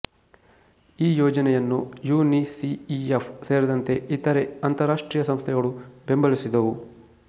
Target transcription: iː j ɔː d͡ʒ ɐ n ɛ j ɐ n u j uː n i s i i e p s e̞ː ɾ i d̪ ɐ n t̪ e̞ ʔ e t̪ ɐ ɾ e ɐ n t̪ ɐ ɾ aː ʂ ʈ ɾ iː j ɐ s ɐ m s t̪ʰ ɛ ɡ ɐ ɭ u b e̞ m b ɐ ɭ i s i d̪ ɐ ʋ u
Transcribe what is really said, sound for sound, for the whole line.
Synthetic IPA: iː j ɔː d͡ʒ ɐ n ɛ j ɐ nː u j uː n i s i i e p s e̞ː ɾ i d̪ ɐ n t̪ e̞ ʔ i t̪ ɐ ɾ e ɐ n t̪ ɐ ɾ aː ʂ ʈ ɾ iː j ɐ s ɐ m s t̪ʰ ɛ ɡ ɐ ɭ u b e̞ m b ɐ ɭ i s i d̪ ɐ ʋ u